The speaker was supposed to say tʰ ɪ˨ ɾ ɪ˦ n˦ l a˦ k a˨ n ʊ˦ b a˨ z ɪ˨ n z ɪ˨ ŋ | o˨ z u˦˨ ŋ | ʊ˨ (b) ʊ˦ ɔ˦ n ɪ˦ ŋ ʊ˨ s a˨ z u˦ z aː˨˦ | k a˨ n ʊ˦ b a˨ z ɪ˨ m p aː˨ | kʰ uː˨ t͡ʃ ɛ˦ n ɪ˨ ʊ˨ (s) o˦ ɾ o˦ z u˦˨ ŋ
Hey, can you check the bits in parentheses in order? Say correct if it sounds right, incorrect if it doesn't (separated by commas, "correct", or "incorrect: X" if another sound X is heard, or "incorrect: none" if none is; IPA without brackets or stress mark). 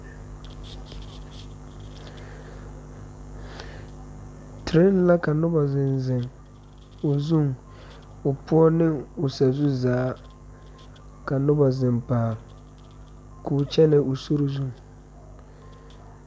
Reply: incorrect: p, correct